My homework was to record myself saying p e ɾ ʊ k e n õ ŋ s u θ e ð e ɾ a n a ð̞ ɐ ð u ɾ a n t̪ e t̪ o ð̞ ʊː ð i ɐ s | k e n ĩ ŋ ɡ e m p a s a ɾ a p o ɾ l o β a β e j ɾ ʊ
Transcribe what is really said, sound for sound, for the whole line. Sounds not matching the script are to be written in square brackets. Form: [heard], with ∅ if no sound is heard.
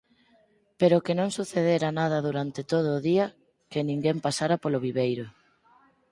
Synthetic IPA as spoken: p e ɾ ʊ k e n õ ŋ s u θ e ð e ɾ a n a ð̞ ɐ ð u ɾ a n t̪ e t̪ o ð̞ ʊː ð i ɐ [∅] | k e n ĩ ŋ ɡ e m p a s a ɾ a p o [∅] l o β [i] β e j ɾ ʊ